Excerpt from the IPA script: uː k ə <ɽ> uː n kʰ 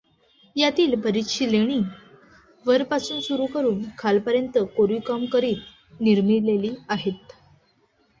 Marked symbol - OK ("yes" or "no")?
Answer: no